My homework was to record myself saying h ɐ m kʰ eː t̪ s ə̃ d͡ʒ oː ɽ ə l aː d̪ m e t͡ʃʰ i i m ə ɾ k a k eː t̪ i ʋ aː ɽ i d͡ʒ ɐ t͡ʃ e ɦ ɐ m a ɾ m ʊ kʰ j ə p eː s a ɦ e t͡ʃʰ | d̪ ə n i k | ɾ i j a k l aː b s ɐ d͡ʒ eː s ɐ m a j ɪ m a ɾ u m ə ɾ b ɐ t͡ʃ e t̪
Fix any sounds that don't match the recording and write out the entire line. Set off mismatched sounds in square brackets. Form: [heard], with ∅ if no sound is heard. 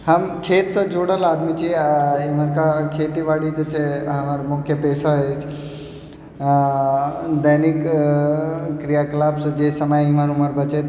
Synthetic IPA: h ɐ m kʰ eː t̪ s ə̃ d͡ʒ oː ɽ ə l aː d̪ m [i] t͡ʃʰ i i m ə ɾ k a [kʰ] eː t̪ i ʋ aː ɽ i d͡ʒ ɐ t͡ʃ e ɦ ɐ m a ɾ m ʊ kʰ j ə p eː s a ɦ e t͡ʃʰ | d̪ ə n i k | ɾ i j a k l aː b s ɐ d͡ʒ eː s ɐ m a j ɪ m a ɾ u m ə ɾ b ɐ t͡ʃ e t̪